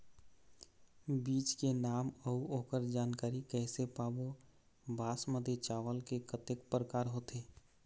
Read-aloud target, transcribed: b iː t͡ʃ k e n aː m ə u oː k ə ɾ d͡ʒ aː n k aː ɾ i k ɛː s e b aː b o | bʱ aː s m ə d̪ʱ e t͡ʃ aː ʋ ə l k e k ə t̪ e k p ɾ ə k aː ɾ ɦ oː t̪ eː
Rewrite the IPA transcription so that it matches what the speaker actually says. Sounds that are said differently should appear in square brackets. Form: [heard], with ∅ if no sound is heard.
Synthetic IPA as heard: b iː t͡ʃ k e n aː m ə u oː k ə ɾ d͡ʒ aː n k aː ɾ i k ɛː s e [p] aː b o | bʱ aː s m ə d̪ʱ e t͡ʃ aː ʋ ə l k e k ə t̪ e k p ɾ ə k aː ɾ ɦ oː t̪ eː